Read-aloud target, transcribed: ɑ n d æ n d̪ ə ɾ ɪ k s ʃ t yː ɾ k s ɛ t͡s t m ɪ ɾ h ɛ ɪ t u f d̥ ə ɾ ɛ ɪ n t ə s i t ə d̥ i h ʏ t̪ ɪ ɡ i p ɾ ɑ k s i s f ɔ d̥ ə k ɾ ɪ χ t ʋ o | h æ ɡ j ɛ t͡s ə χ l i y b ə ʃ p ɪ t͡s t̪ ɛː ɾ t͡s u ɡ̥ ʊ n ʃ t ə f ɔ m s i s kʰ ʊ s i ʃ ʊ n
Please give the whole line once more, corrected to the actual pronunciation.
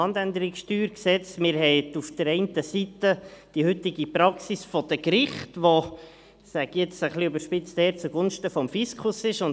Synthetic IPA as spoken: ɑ n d æ n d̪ ə ɾ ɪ k s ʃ t yː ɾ k s ɛ t͡s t m ɪ ɾ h ɛ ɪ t u f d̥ ə ɾ ɛ ɪ n t ə s i t ə d̥ i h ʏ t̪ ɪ ɡ i p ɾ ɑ k s i s f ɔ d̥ ə k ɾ ɪ χ t ʋ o | s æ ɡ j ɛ t͡s ə χ l i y b ə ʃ p ɪ t͡s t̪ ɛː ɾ t͡s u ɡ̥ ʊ n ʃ t ə f ɔ m f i s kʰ ʊ s ɪ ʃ ʊ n